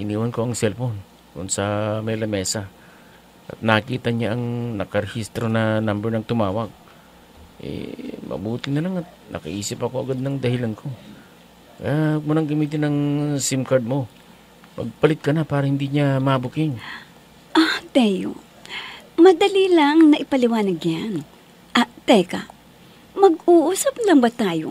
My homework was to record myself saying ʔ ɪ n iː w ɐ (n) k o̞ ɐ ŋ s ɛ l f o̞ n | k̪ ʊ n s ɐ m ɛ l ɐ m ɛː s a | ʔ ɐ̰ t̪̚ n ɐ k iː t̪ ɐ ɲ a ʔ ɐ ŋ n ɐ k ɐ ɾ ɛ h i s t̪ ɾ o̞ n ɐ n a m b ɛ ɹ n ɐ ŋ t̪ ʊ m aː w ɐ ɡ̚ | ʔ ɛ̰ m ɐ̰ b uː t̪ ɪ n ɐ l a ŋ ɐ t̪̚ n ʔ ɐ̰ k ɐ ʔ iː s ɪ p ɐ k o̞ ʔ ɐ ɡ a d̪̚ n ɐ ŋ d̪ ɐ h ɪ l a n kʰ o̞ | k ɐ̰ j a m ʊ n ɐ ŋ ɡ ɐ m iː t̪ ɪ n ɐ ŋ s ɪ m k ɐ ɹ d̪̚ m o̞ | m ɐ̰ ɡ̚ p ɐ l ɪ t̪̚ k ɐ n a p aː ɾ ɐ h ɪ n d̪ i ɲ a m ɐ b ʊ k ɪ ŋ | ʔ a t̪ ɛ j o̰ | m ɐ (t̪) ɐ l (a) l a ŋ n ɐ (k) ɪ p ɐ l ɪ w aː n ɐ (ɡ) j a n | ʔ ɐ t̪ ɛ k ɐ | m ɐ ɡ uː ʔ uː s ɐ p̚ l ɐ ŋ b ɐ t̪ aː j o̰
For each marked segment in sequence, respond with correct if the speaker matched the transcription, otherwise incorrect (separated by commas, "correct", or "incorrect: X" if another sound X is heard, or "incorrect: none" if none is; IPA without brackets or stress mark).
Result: correct, incorrect: d̪, incorrect: i, incorrect: ʔ, correct